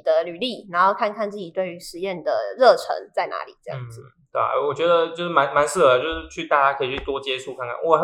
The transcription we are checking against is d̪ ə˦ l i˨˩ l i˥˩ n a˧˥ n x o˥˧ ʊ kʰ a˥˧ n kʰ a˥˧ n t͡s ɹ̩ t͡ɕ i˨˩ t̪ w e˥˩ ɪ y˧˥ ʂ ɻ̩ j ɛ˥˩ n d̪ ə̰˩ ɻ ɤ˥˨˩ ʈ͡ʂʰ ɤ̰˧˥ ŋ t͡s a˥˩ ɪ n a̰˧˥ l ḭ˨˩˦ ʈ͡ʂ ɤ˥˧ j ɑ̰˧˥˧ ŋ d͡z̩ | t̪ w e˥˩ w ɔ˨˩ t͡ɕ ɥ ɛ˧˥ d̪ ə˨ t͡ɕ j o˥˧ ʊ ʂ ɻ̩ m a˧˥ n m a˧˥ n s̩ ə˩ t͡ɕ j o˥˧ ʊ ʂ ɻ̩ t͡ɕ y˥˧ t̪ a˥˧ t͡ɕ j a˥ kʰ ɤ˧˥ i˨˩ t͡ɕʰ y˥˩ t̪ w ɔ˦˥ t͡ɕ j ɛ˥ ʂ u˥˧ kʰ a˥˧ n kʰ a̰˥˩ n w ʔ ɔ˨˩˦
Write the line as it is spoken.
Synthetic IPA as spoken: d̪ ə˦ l y˨˩ l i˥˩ n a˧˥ n x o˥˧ ʊ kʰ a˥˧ n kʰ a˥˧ n t͡s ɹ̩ t͡ɕ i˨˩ t̪ w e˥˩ ɪ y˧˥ ʂ ɻ̩ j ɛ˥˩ n d̪ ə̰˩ ɻ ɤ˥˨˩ ʈ͡ʂʰ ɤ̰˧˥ ŋ t͡s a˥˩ ɪ n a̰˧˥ l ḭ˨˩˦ ʈ͡ʂ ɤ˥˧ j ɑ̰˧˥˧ ŋ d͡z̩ | t̪ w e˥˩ w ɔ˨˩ t͡ɕ ɥ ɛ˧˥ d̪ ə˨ t͡ɕ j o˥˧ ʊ ʂ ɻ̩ m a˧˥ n m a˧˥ n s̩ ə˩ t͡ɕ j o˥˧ ʊ ʂ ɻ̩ t͡ɕʰ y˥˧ t̪ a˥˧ t͡ɕ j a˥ kʰ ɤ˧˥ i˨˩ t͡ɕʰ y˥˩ t̪ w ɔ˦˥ t͡ɕ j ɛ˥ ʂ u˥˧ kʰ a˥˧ n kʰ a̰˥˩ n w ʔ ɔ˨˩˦